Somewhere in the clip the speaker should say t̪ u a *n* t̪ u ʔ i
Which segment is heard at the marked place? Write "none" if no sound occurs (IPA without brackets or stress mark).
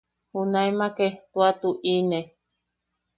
none